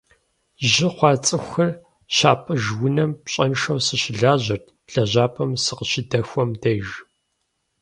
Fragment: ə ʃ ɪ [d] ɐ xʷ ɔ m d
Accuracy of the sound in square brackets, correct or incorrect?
correct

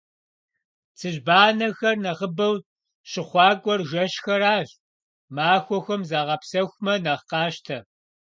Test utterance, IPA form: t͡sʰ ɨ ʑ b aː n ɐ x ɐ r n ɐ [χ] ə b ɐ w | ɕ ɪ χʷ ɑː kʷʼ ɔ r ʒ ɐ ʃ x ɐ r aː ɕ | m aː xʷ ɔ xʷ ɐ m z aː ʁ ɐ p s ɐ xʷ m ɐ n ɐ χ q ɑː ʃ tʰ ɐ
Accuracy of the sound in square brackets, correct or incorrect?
incorrect: ʁ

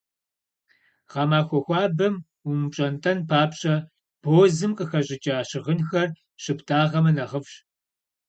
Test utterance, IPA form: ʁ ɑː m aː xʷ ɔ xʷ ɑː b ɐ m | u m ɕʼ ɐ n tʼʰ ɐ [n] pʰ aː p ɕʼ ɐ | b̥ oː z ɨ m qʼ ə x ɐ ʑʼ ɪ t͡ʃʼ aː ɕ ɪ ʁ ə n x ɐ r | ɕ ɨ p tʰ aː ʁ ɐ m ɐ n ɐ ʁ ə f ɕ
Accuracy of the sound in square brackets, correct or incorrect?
correct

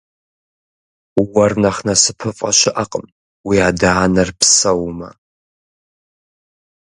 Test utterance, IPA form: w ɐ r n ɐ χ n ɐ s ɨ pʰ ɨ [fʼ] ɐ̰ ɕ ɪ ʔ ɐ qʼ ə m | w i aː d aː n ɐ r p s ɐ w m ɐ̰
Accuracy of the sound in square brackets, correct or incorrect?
correct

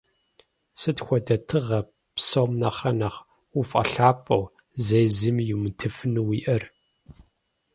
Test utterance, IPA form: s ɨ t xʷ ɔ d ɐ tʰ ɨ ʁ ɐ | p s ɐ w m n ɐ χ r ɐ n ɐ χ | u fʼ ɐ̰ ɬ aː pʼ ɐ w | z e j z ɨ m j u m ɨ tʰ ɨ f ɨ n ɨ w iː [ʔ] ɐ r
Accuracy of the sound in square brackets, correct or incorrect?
correct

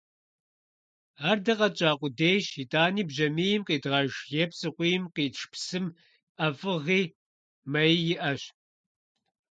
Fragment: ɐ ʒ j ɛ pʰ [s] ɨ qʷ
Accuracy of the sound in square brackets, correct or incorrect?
correct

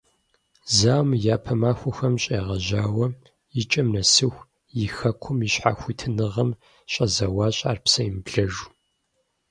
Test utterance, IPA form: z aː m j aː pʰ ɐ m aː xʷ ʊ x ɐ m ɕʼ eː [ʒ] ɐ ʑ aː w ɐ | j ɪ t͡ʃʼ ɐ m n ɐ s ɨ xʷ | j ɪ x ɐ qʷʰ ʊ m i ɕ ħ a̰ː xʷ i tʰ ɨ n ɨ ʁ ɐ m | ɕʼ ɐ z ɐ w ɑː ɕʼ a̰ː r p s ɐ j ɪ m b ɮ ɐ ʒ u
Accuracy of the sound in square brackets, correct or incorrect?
incorrect: ʁ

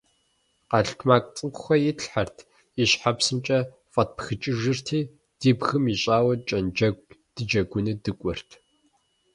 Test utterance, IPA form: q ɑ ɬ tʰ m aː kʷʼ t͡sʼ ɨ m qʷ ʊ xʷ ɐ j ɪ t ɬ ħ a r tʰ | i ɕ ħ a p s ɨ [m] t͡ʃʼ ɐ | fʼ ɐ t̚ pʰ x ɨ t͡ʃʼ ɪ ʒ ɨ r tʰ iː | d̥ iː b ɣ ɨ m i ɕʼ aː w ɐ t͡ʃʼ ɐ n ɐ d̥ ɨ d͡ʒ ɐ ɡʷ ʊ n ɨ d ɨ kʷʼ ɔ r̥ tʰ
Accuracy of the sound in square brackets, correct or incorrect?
correct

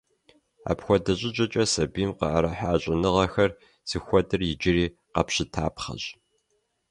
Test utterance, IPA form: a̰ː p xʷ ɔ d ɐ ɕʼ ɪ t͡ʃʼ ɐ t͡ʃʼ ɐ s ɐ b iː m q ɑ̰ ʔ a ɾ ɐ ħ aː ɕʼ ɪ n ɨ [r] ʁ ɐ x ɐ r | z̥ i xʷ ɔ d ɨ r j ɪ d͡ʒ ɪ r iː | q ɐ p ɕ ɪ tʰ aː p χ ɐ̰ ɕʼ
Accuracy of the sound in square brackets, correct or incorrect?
incorrect: none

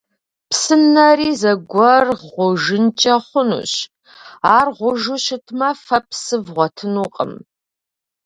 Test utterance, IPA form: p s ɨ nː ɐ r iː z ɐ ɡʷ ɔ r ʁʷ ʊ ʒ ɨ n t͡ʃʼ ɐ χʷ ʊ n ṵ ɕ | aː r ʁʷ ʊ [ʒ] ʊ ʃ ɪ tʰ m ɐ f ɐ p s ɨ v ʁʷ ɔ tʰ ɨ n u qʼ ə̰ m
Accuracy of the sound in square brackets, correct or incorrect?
correct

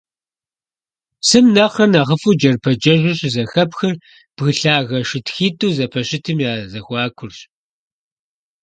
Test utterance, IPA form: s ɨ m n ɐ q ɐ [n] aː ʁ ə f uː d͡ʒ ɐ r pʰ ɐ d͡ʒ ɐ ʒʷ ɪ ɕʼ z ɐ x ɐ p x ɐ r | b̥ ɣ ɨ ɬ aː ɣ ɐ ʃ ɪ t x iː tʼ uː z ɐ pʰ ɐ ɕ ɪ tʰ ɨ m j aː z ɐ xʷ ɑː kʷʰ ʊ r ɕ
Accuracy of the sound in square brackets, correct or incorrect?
correct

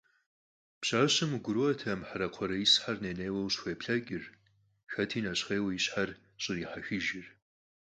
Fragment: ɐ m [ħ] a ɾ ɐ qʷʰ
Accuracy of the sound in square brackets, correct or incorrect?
correct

